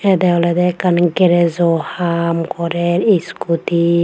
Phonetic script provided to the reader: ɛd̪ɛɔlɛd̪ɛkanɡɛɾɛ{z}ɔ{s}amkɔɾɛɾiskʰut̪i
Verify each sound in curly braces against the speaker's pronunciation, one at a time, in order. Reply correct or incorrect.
correct, incorrect: h

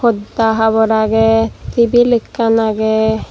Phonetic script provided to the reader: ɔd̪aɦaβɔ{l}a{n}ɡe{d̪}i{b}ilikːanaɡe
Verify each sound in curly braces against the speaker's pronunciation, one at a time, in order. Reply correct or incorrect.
incorrect: ɾ, incorrect: none, incorrect: t̪, correct

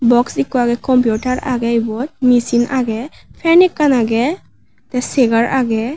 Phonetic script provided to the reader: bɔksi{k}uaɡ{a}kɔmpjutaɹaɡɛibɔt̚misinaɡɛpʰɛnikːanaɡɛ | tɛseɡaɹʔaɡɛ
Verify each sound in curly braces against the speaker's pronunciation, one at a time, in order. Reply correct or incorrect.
correct, incorrect: ɛ

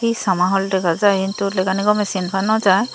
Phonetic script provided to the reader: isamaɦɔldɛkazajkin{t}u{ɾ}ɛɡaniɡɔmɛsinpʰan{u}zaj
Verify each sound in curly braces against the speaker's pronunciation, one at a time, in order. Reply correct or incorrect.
correct, incorrect: l, incorrect: ɔ

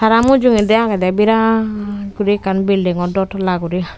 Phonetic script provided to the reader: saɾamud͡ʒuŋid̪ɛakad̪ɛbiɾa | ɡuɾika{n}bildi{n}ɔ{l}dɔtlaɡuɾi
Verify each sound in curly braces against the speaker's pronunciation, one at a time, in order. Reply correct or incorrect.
correct, incorrect: ŋ, incorrect: none

